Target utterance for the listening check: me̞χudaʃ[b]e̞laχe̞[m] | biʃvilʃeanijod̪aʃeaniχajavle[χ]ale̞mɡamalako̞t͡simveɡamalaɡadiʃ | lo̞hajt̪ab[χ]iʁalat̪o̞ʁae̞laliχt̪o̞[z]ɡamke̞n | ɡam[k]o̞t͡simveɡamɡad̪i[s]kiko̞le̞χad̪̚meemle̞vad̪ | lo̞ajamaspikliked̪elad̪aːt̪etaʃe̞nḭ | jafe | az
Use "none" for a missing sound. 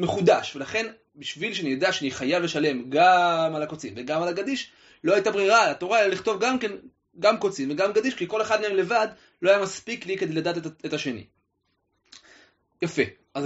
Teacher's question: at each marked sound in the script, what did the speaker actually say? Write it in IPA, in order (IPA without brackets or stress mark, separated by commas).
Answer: v, n, ʃ, ʁ, v, k, ʃ